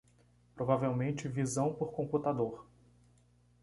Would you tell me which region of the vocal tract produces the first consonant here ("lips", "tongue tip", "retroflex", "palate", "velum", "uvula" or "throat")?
lips